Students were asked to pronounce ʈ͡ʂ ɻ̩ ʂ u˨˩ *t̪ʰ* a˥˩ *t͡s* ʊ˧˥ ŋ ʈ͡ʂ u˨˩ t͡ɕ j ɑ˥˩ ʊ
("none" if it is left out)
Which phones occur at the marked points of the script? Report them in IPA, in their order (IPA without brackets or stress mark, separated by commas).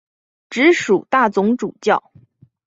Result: t̪, t͡s